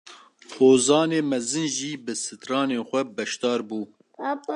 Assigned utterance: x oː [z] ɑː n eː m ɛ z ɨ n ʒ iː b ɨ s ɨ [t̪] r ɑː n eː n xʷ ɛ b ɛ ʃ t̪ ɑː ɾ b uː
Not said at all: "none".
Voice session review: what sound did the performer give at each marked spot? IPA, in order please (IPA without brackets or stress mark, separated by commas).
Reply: z, t̪